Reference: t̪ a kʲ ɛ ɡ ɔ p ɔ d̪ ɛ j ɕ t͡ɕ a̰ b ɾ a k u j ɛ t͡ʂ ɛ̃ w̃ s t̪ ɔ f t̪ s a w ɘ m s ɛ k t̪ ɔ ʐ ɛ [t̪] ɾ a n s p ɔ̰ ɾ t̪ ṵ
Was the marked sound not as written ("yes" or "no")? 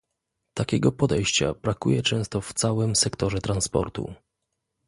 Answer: no